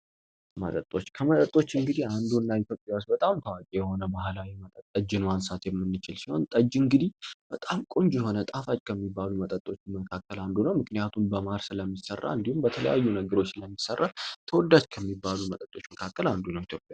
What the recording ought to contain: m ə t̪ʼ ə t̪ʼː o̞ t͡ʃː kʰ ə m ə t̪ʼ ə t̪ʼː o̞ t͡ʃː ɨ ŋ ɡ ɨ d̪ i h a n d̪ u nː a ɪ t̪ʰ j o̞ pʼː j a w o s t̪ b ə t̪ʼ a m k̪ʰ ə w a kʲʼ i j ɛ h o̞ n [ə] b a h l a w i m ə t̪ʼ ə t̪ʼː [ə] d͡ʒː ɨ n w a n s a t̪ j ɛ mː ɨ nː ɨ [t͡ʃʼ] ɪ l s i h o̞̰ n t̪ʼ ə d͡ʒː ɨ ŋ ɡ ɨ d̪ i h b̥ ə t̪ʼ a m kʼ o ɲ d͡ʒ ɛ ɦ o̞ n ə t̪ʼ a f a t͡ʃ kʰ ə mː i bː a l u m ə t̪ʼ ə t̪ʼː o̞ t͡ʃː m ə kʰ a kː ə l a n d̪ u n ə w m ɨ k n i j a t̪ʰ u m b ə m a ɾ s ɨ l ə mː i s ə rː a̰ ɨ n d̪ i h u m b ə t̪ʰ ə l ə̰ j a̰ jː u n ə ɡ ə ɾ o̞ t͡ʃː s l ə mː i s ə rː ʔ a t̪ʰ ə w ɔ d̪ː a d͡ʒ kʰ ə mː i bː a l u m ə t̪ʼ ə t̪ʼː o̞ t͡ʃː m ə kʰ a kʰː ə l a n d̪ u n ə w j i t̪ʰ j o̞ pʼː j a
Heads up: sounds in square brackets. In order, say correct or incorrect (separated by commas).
correct, correct, incorrect